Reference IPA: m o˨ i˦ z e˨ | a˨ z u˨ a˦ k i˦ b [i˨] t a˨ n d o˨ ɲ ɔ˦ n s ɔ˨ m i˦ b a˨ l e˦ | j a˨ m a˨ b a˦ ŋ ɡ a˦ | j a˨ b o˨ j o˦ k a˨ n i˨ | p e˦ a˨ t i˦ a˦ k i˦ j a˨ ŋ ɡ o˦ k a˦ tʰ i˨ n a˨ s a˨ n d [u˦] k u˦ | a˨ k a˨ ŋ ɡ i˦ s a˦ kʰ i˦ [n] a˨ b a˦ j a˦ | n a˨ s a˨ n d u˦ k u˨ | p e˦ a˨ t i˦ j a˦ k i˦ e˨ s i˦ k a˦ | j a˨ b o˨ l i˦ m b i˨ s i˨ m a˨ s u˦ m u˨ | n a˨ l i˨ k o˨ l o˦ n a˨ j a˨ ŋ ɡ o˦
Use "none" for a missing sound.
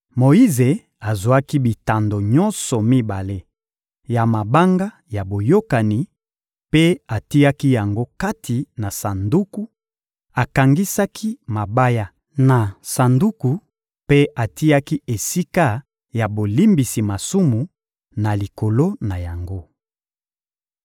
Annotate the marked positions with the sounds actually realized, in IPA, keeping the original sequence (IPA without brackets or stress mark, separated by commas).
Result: i˨, u˦, m